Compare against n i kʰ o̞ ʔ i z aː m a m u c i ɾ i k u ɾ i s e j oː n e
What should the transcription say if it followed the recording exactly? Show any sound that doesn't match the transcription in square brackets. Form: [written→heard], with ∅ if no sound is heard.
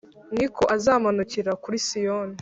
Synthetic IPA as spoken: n i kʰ o̞ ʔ [i→a] z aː m a [m→n] u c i ɾ [i→a] k u ɾ i s [e→i] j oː n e

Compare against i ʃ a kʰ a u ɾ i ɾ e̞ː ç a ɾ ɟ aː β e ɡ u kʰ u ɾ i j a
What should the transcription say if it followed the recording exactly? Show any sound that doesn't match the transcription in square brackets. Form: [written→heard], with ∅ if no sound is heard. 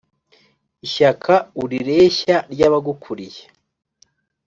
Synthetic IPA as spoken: i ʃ a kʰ a u ɾ i ɾ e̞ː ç a ɾ ɟ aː β [e→a] ɡ u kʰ u ɾ i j [a→e]

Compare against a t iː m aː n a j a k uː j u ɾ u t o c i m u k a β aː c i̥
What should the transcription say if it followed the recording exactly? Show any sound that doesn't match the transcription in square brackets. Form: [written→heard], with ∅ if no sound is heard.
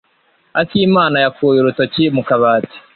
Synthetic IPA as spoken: a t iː m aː n a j a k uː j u ɾ u t o c i m u k a β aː [c→t] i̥

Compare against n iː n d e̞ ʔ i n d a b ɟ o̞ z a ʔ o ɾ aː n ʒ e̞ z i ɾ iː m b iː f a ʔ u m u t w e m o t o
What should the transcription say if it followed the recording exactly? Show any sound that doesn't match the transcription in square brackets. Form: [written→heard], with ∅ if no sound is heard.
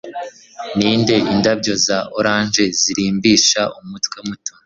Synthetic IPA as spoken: n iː n d e̞ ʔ i n d a b ɟ o̞ z a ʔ o ɾ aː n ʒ e̞ z i ɾ iː m b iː [f→ʃ] a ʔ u m u t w e m [o→u] t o

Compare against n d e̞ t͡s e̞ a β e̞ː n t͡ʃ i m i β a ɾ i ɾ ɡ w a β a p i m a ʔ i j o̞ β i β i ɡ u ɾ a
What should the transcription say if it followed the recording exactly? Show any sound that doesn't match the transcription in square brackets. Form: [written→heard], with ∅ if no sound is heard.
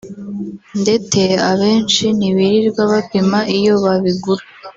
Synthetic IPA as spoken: n d e̞ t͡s e̞ a β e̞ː n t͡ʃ i [m→n] i β [a→i] ɾ i ɾ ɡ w a β a p i m a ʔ i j o̞ β [i→a] β i ɡ u ɾ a

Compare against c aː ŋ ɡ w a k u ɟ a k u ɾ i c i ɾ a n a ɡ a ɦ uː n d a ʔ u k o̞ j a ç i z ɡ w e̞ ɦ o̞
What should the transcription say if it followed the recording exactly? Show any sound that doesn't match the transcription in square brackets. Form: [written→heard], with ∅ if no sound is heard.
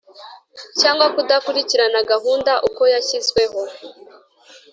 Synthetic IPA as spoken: c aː ŋ ɡ w a k u [ɟ→d] a k u ɾ i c i ɾ a n a ɡ a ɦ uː n d a ʔ u k o̞ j a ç i z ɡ w e̞ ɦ o̞

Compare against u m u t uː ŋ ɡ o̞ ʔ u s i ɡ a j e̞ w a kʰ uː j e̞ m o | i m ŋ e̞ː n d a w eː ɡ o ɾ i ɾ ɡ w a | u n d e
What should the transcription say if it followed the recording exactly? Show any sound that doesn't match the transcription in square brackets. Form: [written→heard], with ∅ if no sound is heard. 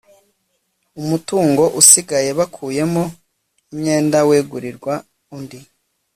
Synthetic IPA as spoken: u m u t uː ŋ ɡ o̞ ʔ u s i ɡ a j e̞ [w→β] a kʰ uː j e̞ m o | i m [ŋ→ɲ] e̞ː n d a w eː ɡ [o→u] ɾ i ɾ ɡ w a | u n d [e→i]

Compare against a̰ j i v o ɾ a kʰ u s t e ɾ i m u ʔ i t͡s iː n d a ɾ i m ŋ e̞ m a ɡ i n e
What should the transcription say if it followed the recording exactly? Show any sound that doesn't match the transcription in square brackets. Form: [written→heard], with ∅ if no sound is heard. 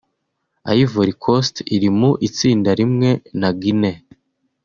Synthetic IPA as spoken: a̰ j i v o ɾ [a→i] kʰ [u→o] s t [e→i] ɾ i m u ʔ i t͡s iː n d a ɾ i m ŋ e̞ [m→n] a ɡ i n e

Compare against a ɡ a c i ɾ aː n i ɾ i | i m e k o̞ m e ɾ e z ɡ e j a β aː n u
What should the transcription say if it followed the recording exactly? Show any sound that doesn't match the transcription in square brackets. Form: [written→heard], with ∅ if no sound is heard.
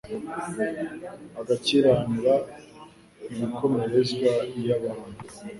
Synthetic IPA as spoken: a ɡ a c i ɾ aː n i ɾ [i→a] | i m [e→i] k o̞ m e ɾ e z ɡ [e→a] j a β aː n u

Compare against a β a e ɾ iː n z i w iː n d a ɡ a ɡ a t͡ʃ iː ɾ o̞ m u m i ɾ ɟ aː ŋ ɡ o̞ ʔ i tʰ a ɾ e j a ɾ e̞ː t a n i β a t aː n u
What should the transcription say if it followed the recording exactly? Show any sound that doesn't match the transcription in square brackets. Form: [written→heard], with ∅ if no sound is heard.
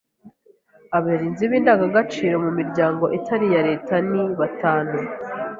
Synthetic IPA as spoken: a β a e ɾ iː n z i [w→β] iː n d a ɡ a ɡ a t͡ʃ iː ɾ o̞ m u m i ɾ ɟ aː ŋ ɡ o̞ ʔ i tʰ a ɾ [e→i] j a ɾ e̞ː t a n i β a t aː n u

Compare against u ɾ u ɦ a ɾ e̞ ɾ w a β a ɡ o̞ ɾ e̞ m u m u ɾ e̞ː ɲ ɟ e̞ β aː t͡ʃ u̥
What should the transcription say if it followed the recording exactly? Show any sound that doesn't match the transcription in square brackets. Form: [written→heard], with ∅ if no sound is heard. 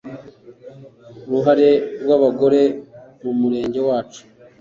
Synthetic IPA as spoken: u ɾ u ɦ a ɾ e̞ ɾ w a β a ɡ o̞ ɾ e̞ m u m u ɾ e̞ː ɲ ɟ e̞ [β→w] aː t͡ʃ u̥

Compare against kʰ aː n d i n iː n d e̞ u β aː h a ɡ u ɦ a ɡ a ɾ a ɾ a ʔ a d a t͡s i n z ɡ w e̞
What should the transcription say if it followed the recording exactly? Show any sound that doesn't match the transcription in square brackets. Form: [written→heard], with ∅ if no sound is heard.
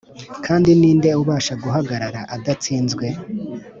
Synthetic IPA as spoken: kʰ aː n d i n iː n d e̞ u β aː [h→ʃ] a ɡ u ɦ a ɡ a ɾ a ɾ a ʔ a d a t͡s [i→iː] n z ɡ w e̞

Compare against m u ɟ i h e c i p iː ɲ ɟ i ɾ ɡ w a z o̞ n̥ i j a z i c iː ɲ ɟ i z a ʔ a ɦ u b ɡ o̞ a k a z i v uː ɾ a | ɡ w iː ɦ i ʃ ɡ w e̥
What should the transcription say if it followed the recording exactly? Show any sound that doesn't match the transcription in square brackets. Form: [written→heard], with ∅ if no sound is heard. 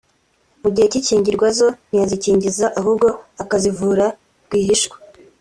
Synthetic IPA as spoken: m u ɟ i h e c i [p→c] iː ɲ ɟ i ɾ ɡ w a z o̞ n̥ i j a z i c iː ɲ ɟ i z a ʔ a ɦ u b ɡ o̞ a k a z i v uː ɾ a | ɡ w iː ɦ i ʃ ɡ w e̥

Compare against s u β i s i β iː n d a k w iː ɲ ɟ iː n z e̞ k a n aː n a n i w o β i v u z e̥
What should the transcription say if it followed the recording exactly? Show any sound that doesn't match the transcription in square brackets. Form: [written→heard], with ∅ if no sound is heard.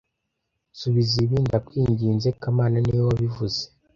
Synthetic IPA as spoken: s u β i [s→z] i β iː n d a k w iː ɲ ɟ iː n z e̞ k a [n→m] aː n a n i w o β i v u z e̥

